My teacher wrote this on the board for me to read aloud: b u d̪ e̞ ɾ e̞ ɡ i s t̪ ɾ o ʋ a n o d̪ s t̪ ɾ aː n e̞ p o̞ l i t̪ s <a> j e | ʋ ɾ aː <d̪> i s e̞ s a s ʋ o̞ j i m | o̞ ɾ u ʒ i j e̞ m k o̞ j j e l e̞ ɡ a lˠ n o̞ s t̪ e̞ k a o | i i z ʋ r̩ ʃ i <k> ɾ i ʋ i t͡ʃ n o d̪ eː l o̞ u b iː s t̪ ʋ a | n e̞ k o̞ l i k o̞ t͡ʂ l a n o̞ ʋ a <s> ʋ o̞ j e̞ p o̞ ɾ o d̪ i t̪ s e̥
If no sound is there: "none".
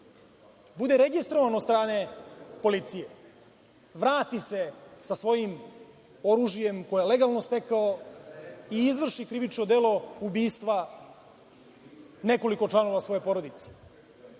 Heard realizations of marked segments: i, t̪, k, s

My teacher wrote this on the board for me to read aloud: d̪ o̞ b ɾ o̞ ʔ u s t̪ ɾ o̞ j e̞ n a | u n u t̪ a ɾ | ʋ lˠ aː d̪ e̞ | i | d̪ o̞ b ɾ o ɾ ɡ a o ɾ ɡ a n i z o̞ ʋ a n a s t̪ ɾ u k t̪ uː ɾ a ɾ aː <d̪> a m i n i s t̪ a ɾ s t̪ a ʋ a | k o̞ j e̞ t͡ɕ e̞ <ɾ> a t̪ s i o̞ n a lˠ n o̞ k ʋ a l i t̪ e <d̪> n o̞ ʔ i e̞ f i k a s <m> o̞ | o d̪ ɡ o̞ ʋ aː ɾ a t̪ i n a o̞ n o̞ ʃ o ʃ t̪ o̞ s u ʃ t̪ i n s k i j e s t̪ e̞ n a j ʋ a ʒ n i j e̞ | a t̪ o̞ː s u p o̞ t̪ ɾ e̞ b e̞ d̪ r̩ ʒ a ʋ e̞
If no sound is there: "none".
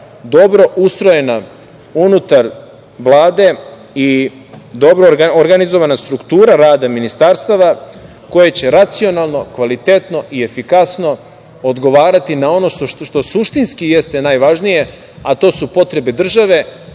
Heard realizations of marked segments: d̪, ɾ, t̪, n

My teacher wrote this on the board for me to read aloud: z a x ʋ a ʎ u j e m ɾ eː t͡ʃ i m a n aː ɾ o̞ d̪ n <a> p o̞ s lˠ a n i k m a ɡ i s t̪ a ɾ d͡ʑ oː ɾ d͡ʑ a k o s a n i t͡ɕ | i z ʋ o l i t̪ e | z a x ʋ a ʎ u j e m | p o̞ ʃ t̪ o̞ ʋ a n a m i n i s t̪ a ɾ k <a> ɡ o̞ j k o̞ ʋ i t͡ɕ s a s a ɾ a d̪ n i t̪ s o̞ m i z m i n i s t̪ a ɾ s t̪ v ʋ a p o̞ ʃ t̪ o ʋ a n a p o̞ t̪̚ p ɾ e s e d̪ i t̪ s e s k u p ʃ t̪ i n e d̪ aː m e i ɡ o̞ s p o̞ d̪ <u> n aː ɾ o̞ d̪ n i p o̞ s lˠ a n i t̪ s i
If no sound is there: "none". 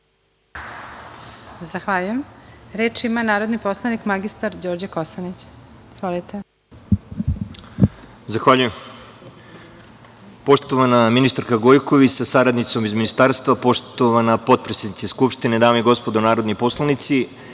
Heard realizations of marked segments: i, a, o

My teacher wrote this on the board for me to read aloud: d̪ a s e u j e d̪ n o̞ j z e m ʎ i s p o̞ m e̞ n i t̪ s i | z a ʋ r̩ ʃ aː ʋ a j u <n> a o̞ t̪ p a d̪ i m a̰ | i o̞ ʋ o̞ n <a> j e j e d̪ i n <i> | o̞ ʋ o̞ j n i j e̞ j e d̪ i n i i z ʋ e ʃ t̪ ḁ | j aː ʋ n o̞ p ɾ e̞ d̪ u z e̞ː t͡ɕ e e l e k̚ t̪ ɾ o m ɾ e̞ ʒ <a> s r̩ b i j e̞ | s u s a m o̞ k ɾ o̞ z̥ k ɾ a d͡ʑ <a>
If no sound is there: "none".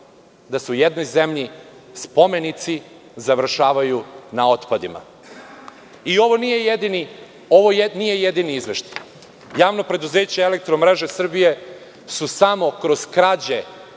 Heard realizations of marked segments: n, i, i, e, e

